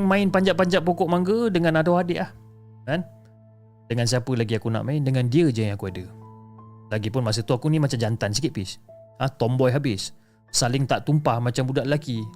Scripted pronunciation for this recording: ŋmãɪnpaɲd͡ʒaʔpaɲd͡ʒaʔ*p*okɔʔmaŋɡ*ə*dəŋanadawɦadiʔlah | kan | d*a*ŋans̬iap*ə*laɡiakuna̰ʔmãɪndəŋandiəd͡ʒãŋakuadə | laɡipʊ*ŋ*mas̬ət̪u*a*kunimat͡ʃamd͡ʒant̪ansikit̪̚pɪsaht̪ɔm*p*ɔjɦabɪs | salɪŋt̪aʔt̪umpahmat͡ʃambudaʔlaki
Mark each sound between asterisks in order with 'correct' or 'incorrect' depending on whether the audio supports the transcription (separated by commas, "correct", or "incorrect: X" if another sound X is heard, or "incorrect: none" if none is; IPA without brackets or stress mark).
correct, correct, incorrect: ə, correct, incorrect: n, correct, incorrect: b